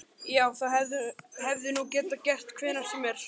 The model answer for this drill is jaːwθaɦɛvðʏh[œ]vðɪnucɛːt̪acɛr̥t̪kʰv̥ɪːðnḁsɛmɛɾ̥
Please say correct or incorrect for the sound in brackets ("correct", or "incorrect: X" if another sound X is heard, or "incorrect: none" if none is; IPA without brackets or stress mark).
incorrect: ɛ